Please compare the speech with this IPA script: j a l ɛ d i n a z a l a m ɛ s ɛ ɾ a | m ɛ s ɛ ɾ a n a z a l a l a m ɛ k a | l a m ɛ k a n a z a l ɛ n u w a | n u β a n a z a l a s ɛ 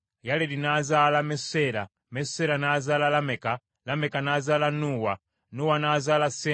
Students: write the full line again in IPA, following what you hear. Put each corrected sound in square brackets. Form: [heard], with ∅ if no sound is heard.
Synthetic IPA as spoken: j a l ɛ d i n a z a l a m ɛ s ɛ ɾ a | m ɛ s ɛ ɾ a n a z a l a l a m ɛ k a | l a m ɛ k a n a z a l [a] n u w a | n u [w] a n a z a l a s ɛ